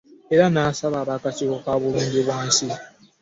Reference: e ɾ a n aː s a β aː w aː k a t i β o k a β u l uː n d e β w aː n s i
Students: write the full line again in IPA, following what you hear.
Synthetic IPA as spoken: e ɾ a n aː s a β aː β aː k a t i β o k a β u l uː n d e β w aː n s i